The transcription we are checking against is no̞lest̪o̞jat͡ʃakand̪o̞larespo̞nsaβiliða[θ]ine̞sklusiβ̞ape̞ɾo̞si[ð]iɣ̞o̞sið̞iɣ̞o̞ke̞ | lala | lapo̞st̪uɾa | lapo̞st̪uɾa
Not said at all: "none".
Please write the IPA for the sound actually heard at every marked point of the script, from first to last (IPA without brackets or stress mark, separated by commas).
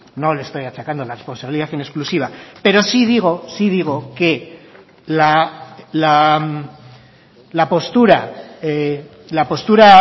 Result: θ, ð